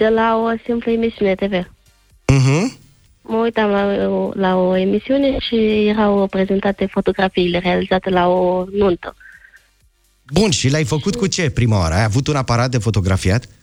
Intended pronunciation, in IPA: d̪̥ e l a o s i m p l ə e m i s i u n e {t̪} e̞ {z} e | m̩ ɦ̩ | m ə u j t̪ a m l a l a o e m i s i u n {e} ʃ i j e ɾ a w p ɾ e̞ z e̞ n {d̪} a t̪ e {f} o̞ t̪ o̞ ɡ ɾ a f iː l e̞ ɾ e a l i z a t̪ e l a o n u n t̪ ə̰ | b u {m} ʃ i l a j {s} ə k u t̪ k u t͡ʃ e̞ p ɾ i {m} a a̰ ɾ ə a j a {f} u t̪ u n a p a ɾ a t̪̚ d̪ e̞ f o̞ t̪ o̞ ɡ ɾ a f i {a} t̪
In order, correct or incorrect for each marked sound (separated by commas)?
correct, incorrect, correct, incorrect, correct, incorrect, incorrect, correct, incorrect, correct